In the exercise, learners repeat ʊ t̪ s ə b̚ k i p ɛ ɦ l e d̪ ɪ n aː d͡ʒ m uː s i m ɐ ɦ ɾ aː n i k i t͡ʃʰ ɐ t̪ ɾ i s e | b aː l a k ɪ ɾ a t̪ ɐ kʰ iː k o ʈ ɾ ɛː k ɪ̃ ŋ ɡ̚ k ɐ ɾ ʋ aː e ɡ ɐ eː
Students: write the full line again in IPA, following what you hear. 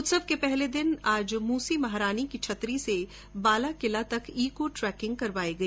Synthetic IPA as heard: ʊ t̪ s ə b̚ k e p ɛ ɦ l e d̪ ɪ n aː d͡ʒ m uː s i m ɐ ɦ ɾ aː n i k i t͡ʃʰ ɐ t̪ ɾ i s e | b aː l a k ɪ l a t̪ ɐ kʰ iː k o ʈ ɾ ɛː k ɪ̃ ŋ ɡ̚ k ɐ ɾ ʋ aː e ɡ ɐ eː